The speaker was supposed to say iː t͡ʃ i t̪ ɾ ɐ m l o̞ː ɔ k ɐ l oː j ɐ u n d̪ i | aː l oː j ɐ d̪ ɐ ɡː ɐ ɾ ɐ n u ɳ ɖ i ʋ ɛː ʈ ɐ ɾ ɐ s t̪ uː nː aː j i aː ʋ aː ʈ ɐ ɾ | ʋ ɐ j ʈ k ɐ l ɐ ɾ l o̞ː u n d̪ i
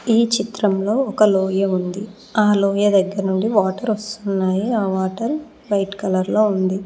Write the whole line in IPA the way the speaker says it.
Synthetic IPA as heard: iː t͡ʃ i t̪ ɾ ɐ m l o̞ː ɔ k ɐ l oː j ɐ u n d̪ i | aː l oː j ɐ d̪ ɐ ɡː ɐ ɾ ɐ n u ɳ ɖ i ʋ aː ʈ ɐ ɾ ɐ s t̪ u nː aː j i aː ʋ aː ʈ ɐ ɾ | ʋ ɐ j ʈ k ɐ l ɐ ɾ l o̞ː u n d̪ i